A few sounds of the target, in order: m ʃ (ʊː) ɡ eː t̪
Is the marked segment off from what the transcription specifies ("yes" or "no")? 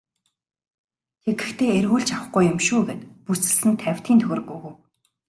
yes